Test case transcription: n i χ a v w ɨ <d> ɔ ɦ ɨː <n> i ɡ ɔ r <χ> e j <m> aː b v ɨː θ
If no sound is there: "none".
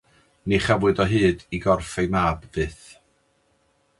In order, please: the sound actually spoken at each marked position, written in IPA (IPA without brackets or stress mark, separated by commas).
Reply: d, d, f, m